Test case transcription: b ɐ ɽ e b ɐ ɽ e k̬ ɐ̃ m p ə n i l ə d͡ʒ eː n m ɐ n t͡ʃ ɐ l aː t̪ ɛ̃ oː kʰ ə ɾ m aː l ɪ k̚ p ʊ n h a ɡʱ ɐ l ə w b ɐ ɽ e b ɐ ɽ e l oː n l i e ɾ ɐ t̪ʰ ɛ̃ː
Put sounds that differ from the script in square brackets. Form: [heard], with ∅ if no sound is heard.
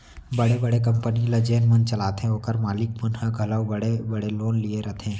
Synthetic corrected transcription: b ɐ ɽ e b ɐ ɽ e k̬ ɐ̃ m p ə n i l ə d͡ʒ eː n m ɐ n t͡ʃ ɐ l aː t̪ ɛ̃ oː [k] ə ɾ m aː l ɪ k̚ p ʊ n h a ɡʱ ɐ l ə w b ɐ ɽ e b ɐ ɽ e l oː n l i e ɾ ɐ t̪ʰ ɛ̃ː